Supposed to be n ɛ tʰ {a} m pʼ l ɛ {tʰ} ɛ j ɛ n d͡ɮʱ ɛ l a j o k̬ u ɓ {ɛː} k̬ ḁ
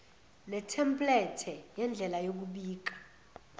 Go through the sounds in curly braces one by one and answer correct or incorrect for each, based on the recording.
incorrect: ɛ, correct, incorrect: iː

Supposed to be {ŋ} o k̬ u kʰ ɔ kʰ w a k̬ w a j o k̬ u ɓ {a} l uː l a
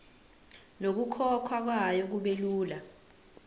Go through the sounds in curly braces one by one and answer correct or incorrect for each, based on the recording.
incorrect: n, incorrect: e

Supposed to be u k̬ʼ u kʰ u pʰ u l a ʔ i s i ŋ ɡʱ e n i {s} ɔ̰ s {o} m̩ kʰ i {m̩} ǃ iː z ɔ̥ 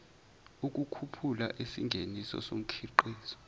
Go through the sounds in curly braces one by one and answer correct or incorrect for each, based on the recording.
correct, correct, incorrect: none

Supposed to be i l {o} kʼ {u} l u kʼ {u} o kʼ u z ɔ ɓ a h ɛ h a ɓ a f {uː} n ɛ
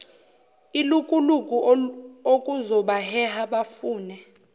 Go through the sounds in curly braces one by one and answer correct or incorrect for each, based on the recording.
incorrect: u, correct, correct, correct

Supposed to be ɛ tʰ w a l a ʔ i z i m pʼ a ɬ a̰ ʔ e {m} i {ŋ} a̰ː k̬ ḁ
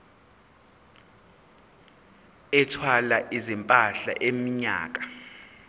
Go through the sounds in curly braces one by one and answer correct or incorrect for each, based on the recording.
correct, incorrect: ɲ

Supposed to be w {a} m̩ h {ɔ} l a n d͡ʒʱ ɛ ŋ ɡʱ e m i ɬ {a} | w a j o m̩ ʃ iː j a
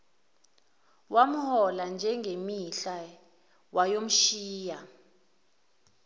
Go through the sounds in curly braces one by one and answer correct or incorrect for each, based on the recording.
correct, correct, correct

